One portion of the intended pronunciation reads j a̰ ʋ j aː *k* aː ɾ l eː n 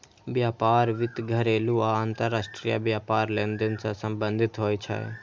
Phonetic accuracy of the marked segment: incorrect: p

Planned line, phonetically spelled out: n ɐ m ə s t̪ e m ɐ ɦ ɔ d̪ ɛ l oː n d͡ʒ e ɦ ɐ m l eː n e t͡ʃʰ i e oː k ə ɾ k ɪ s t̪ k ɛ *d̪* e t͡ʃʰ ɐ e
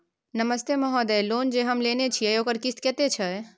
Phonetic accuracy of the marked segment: incorrect: t̪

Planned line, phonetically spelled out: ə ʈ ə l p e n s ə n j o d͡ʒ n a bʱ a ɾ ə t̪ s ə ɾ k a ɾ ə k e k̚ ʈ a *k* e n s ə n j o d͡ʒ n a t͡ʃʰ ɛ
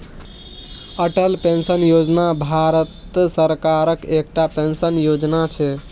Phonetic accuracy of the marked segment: incorrect: p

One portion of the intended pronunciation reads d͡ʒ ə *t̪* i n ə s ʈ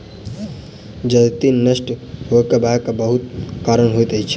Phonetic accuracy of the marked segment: correct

